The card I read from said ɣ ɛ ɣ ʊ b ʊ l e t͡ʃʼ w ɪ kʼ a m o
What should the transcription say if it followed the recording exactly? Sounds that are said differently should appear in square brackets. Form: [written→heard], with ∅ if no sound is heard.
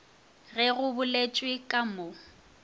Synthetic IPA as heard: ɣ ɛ ɣ ʊ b ʊ l e t͡ʃʼ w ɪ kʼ a m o